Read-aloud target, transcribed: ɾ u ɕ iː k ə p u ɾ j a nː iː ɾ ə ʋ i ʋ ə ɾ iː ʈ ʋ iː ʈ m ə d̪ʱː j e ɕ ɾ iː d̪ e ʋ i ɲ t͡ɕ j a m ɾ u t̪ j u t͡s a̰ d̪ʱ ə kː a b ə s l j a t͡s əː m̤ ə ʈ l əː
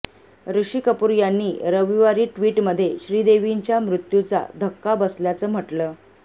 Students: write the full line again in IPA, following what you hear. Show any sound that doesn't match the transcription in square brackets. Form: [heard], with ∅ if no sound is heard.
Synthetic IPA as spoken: ɾ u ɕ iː k ə p u ɾ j a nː iː ɾ ə ʋ i ʋ [a] ɾ iː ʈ ʋ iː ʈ m ə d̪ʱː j e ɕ ɾ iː d̪ e ʋ i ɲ t͡ɕ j a m ɾ u t̪ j u t͡s a̰ d̪ʱ ə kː a b ə s l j a t͡s əː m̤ ə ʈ l əː